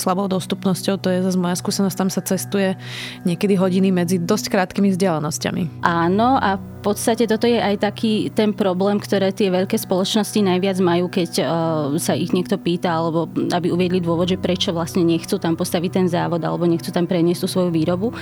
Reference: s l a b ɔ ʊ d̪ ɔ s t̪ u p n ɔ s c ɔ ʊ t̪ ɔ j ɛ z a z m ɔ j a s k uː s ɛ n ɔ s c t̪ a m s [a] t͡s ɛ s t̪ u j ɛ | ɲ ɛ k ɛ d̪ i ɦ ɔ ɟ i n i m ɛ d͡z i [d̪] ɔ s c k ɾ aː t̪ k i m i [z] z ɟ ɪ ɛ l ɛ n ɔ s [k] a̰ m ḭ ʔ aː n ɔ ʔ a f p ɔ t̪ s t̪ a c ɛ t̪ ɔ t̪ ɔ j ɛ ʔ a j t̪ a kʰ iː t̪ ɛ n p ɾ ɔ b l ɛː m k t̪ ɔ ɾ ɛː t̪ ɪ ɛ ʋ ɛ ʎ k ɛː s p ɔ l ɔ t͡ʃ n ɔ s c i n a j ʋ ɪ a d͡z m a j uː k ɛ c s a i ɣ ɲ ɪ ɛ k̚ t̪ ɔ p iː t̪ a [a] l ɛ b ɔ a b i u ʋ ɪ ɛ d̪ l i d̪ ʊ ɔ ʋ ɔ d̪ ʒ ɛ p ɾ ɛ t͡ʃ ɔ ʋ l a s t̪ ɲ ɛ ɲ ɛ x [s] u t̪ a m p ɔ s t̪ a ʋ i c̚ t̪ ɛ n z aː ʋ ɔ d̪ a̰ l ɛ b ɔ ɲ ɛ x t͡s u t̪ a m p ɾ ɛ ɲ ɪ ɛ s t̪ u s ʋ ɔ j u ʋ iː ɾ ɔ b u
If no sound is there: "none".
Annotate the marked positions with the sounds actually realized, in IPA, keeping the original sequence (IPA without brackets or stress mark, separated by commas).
a, d̪, v, c, a, t͡s